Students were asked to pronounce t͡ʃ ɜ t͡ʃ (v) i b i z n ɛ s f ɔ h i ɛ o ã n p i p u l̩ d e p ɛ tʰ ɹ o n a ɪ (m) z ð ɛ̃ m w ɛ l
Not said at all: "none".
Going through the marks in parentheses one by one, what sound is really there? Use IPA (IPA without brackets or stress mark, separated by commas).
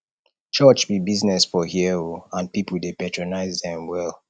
b, none